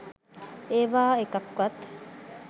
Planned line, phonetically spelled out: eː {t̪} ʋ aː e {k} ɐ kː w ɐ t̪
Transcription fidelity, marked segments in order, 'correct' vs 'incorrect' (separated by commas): incorrect, correct